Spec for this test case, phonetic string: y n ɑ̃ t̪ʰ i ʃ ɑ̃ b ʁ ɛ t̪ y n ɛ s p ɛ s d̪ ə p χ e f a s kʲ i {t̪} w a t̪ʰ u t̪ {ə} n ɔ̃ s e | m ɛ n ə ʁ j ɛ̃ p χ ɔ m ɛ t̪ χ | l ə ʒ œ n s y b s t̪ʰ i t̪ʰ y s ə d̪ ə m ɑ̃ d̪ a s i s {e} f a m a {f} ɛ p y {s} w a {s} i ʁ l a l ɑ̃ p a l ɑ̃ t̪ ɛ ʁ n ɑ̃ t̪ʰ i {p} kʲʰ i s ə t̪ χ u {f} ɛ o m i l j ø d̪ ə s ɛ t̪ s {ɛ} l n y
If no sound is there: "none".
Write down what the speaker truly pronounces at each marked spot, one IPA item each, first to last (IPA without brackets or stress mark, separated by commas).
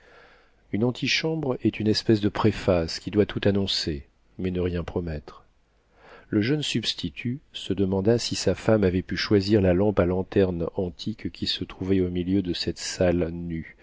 d̪, a, a, v, ʃ, z, k, v, a